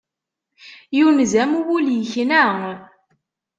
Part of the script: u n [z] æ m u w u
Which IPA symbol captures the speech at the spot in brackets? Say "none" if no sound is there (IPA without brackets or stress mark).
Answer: z